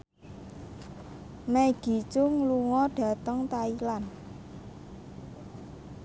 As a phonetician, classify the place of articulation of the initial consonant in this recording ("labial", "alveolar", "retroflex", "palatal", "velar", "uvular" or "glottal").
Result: labial